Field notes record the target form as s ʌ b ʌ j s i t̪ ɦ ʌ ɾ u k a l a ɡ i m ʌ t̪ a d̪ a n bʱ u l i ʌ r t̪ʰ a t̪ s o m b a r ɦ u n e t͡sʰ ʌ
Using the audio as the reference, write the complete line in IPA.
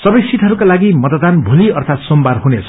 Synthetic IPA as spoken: s ʌ b ʌ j s i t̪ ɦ ʌ ɾ u k a l a ɡ i m ʌ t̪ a d̪ a n bʱ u l i ʌ r t̪ʰ a t̪ s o m b a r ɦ u n e t͡sʰ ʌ